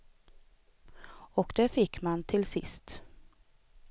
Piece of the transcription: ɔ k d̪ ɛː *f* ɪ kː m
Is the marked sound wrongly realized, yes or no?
no